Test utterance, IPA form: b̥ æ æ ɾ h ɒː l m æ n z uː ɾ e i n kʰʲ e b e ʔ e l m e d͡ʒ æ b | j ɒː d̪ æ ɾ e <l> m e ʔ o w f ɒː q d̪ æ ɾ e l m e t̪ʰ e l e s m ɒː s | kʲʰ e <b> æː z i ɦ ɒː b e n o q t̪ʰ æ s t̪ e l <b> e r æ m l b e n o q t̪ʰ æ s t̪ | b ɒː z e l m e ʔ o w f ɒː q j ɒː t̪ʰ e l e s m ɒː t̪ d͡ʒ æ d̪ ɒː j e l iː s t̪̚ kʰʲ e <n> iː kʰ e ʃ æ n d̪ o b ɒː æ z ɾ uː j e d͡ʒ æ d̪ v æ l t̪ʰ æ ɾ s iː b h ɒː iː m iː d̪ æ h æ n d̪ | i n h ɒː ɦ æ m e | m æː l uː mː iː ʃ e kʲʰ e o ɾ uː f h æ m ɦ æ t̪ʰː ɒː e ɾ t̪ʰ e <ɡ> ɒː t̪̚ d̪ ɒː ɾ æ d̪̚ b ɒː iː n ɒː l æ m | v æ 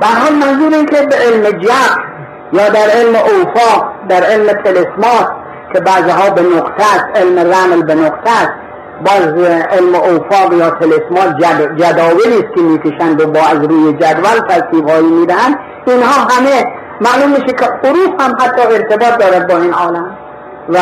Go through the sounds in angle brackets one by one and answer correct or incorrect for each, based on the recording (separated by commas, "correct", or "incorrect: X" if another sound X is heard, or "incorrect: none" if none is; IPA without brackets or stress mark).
correct, correct, incorrect: m, incorrect: m, incorrect: b